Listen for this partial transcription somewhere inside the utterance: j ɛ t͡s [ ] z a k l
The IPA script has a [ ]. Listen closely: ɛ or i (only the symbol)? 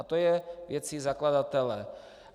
i